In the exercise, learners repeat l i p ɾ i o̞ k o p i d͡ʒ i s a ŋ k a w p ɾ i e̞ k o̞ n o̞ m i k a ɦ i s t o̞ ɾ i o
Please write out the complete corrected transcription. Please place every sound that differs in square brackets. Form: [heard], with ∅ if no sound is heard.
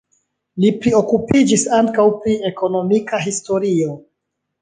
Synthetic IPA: l i p ɾ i o̞ k [u] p i d͡ʒ i s a ŋ k a w p ɾ i e̞ k o̞ n o̞ m i k a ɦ i s t o̞ ɾ i o